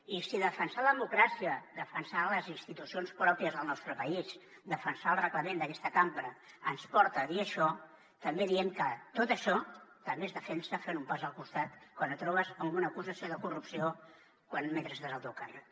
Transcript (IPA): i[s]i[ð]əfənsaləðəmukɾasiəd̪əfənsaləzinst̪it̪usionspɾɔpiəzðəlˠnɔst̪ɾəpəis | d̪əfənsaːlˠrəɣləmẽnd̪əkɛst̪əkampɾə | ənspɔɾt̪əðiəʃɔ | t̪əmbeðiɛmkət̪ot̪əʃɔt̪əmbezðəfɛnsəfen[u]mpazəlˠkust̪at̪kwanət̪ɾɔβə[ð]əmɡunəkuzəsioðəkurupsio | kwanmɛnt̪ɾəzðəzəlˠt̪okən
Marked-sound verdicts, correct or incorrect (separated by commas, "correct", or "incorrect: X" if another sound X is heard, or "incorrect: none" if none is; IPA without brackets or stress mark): correct, correct, correct, incorrect: z